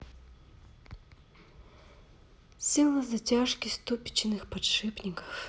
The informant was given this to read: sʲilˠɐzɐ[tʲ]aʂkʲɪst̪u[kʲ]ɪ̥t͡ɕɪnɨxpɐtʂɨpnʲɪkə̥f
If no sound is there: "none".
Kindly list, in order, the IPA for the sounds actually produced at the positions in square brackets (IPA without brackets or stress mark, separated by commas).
tʲ, pʲ